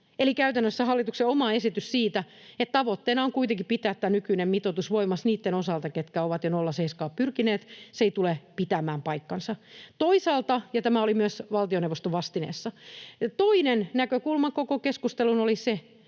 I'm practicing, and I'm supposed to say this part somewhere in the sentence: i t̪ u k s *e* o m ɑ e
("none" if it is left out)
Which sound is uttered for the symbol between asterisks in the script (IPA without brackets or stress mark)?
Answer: e